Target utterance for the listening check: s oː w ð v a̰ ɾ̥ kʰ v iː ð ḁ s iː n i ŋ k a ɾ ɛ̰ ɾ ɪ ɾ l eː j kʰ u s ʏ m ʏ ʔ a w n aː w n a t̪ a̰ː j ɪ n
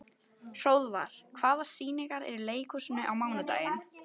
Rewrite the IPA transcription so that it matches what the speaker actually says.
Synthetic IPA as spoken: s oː w ð v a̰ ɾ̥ kʰ v aː ð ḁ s iː n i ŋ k a ɾ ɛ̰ ɾ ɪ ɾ l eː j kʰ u s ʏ n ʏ ʔ a w m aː w n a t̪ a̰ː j ɪ n

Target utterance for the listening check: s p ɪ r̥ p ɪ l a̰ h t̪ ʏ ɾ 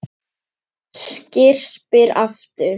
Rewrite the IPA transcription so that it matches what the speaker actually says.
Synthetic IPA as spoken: s c ɪ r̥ p ɪ ɾ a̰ f t̪ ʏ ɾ

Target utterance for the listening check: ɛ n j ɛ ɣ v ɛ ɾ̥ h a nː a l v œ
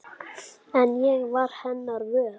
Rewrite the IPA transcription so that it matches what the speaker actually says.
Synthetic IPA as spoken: ɛ n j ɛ ɣ v a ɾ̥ h ɛ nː a ɾ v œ

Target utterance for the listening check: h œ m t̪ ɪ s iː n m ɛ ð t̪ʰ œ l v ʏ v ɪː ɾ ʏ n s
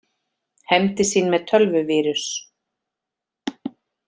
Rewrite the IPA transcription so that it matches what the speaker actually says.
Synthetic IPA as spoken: h ɛ m t̪ ɪ s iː n m ɛ ð t̪ʰ œ l v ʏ v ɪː ɾ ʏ s

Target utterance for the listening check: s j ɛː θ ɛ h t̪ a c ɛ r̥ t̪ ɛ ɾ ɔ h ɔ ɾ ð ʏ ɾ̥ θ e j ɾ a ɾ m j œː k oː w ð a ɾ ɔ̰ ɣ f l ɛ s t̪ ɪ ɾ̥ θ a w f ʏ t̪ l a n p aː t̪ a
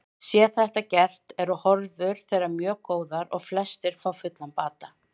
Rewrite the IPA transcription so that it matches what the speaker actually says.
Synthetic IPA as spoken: s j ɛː θ ɛ h t̪ a c ɛ r̥ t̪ ɛ ɾ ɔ h ɔ ɾ v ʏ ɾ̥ θ e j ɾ a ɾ m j œː k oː w ð a ɾ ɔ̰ ɣ f l ɛ s t̪ ɪ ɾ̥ f a w f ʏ t̪ l a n p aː t̪ a

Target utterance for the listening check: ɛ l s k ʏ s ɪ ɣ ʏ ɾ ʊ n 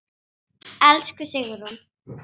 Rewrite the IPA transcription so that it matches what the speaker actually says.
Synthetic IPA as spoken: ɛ l s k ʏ s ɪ ɣ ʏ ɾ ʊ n

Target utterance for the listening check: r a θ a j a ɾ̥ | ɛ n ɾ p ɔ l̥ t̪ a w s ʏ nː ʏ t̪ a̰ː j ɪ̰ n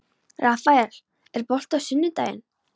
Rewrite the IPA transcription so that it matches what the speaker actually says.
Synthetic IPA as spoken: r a f a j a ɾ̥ | ɛ ɾ p ɔ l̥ t̪ a w s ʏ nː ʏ t̪ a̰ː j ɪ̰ n

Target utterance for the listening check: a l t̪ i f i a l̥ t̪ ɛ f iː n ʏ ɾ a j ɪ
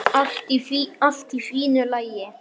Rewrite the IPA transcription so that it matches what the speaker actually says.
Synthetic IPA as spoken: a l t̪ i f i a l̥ t̪ i f iː n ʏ l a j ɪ

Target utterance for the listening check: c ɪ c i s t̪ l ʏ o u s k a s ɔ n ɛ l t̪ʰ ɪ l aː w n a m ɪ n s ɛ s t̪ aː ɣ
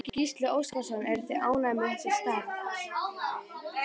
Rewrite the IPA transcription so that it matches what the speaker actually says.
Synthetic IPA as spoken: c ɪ c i s t̪ l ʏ o w s k a s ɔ n ɛ ɾ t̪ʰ ɪ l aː w n a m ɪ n s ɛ s t̪ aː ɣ

